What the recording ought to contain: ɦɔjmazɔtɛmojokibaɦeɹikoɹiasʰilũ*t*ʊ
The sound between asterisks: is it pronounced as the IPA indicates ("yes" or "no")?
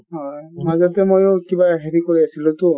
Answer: yes